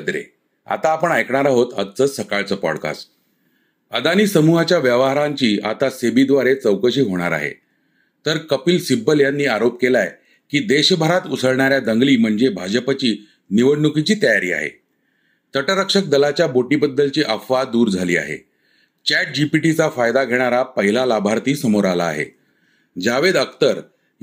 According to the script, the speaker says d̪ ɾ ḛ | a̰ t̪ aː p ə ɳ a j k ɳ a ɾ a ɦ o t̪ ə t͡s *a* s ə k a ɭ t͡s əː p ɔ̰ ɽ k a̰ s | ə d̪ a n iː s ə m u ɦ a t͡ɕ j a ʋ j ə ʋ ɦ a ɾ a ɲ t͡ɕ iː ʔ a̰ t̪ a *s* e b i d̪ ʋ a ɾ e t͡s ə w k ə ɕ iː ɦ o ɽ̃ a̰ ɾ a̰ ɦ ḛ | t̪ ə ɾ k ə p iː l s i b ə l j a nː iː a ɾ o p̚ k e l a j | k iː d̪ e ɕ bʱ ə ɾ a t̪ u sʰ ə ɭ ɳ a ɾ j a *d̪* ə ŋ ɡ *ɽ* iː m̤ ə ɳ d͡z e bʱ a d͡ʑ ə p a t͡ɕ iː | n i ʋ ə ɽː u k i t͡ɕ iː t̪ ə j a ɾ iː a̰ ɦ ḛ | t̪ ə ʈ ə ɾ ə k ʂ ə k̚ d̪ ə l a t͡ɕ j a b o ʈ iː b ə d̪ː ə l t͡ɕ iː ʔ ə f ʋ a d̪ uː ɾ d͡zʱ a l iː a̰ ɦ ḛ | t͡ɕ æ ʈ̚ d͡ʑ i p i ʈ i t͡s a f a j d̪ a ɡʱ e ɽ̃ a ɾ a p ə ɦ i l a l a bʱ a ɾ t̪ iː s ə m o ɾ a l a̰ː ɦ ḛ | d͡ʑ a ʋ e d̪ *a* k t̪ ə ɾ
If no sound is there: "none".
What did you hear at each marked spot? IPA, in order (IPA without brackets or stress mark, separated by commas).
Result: ə, s, d̪, l, ə